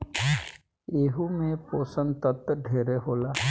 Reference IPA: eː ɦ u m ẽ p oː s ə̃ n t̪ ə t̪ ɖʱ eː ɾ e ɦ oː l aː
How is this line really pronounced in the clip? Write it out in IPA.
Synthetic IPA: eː ɦ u m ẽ p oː s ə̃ n t̪ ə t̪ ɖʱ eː ɾ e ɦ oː l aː